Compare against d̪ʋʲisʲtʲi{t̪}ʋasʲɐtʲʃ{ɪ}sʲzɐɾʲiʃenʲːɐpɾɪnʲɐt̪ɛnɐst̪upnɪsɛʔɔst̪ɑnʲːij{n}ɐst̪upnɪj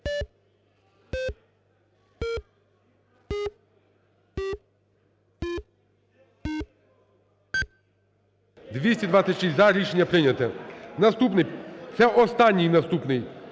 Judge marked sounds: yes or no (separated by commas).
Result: no, no, yes